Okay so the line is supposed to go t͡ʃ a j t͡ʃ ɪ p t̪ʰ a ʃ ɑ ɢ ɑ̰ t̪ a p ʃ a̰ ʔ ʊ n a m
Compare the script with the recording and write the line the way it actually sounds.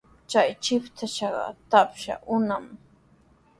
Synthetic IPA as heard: t͡ʃ a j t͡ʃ ɪ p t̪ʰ a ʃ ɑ ɢ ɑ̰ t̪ a p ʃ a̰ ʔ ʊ n a m